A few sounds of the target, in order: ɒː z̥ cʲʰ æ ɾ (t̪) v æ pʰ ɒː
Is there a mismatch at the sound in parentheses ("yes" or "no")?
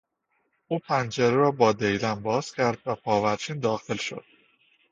yes